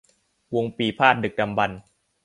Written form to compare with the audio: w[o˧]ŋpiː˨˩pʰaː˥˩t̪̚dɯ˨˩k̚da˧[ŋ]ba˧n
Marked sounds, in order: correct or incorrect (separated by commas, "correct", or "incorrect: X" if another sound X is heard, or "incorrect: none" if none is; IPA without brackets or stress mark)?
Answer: correct, incorrect: m